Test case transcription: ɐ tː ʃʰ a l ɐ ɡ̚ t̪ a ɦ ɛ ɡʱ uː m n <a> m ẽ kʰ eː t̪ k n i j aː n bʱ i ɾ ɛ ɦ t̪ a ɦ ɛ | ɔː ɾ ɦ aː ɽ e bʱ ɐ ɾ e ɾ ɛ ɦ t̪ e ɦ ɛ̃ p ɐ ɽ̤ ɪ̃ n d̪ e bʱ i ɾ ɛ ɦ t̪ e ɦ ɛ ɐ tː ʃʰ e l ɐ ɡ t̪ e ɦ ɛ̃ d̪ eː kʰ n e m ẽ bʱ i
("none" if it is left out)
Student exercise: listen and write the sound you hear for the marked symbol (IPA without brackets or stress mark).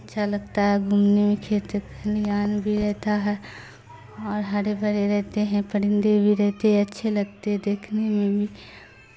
e